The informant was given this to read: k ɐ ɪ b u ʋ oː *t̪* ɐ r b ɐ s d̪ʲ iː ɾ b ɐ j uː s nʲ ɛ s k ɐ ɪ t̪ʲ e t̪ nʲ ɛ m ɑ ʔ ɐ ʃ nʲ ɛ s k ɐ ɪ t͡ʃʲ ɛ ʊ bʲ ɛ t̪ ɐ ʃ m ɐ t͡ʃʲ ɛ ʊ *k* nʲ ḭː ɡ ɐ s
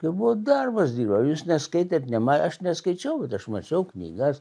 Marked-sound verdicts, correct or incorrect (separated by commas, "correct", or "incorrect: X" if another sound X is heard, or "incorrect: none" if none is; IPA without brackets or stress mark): incorrect: d̪, correct